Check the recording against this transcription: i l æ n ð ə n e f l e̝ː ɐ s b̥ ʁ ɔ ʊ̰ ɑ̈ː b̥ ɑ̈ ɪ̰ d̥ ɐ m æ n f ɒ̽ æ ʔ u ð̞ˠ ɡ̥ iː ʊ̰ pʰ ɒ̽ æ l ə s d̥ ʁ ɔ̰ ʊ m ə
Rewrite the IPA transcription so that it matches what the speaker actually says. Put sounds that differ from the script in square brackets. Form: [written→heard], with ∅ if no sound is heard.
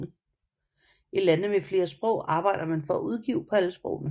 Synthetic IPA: i l æ n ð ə [n→m] e f l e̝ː ɐ s b̥ ʁ ɔ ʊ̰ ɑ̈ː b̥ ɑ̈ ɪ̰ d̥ ɐ m æ n f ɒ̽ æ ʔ u ð̞ˠ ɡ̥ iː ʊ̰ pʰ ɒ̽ æ l ə s [d̥→b̥] ʁ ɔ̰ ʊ [m→n] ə